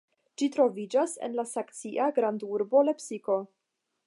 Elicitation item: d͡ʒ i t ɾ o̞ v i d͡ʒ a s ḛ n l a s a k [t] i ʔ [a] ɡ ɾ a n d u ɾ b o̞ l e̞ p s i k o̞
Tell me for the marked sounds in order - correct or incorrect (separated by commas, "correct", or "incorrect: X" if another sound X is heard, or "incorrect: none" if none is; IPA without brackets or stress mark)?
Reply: incorrect: t͡s, correct